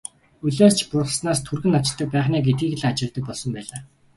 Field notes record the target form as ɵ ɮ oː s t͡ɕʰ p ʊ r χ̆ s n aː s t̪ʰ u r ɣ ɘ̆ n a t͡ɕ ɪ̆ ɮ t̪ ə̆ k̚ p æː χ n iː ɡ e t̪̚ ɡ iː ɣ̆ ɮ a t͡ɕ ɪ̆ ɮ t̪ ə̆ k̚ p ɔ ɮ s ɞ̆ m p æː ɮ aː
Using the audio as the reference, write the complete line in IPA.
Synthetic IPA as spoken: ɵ ɮ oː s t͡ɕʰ p ʊ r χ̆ s n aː s t̪ʰ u r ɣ ɘ̆ n a t͡ɕ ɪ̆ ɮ t̪ ə̆ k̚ p æː χ n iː ɡ e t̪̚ ɡ iː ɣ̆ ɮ a t͡ɕ ɪ̆ ɮ t̪ ə̆ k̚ p ɔ ɮ s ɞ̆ m p æː ɮ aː